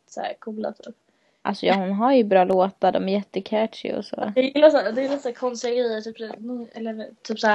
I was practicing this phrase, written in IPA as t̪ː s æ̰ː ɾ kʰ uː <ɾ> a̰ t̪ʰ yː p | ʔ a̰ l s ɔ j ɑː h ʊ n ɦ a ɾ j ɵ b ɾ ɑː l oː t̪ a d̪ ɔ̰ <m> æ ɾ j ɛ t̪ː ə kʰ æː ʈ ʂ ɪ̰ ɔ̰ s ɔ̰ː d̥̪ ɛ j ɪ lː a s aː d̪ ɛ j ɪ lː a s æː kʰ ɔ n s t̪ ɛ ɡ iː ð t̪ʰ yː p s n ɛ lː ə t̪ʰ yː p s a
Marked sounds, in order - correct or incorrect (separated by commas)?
incorrect, correct